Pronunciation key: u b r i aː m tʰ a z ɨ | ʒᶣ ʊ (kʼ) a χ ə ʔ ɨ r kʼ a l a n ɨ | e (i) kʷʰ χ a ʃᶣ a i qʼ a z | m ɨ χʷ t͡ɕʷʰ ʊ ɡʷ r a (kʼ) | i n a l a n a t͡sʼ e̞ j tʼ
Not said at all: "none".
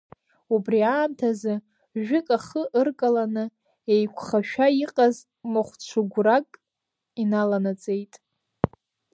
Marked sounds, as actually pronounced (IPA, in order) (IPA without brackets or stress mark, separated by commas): kʼ, j, kʼ